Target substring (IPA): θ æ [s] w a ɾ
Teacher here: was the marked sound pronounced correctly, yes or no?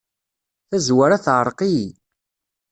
no